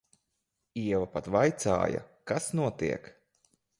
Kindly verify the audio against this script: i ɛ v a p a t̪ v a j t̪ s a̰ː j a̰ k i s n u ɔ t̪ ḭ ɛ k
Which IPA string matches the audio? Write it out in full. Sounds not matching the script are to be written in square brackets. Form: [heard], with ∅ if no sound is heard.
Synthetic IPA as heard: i ɛ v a p a t̪ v a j t̪ s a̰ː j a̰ k [a] s n u ɔ t̪ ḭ ɛ k